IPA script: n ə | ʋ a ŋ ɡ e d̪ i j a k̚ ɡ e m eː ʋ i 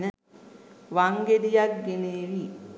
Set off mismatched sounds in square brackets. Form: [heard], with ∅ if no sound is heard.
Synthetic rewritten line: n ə | ʋ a ŋ ɡ e d̪ i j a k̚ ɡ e [n] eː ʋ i